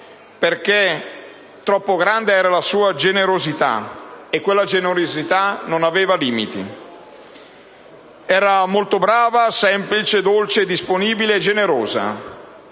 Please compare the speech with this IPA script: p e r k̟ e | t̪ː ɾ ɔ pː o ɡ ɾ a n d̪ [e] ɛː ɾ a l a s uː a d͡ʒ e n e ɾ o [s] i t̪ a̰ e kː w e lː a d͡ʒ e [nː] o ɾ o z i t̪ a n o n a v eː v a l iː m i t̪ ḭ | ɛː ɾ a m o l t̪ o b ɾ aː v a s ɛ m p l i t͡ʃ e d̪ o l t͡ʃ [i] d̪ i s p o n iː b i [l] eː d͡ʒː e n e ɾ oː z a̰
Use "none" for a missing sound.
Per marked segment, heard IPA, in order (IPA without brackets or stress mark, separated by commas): e, z, n, e, l